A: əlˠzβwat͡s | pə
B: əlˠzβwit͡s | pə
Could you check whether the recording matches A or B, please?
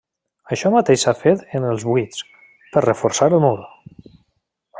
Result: B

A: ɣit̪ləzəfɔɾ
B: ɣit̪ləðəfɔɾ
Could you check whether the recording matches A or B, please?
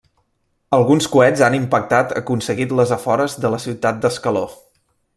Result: A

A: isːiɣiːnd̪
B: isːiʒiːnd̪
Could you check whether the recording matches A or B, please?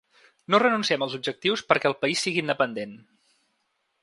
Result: A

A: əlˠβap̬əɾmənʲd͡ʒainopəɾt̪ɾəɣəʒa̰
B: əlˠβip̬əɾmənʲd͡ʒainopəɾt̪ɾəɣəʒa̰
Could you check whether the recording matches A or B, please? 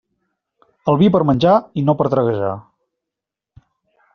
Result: B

